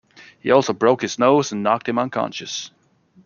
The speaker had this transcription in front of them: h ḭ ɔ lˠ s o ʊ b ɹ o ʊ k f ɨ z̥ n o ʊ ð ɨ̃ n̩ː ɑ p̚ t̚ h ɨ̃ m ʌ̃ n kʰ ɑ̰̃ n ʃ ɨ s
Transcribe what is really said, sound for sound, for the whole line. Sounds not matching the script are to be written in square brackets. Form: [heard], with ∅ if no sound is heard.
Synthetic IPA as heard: h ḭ ɔ lˠ s o ʊ b ɹ o ʊ k [h] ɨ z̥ n o ʊ [z] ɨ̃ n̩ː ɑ [k̚] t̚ h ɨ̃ m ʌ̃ n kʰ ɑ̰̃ n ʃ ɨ s